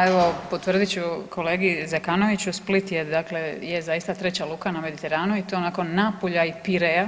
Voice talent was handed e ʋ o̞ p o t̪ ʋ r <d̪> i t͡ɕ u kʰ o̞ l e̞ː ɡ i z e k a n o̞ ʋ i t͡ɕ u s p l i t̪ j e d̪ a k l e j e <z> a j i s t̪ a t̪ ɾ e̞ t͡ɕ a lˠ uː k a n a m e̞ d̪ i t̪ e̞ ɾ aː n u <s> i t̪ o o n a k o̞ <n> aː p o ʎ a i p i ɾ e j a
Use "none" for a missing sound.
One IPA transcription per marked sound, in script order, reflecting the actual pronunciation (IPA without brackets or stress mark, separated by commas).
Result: d̪, z, none, nː